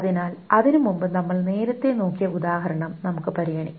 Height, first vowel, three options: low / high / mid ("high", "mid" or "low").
high